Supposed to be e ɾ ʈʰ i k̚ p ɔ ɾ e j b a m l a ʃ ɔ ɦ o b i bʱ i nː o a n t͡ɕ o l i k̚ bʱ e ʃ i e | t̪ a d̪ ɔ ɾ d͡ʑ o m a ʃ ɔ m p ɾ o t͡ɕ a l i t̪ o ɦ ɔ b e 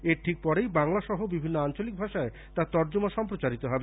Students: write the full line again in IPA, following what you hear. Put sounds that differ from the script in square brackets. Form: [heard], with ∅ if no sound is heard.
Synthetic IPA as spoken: e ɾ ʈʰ i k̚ p ɔ ɾ e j b a [ŋ] l a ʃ ɔ ɦ o b i bʱ i nː o a n t͡ɕ o l i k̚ bʱ [a] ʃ [a] e | t̪ a [t̪] ɔ ɾ d͡ʑ o m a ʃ ɔ m p ɾ o t͡ɕ a [ɾ] i t̪ o ɦ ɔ b e